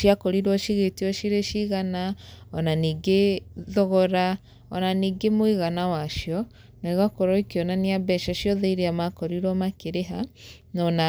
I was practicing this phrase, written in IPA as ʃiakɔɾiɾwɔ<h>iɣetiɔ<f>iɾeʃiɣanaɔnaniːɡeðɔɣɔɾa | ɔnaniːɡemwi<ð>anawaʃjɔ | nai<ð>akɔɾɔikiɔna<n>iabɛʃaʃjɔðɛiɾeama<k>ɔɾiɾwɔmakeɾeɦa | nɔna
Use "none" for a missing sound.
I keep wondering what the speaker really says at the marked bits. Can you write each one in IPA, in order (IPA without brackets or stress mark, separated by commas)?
ʃ, ʃ, ɣ, ɣ, n, k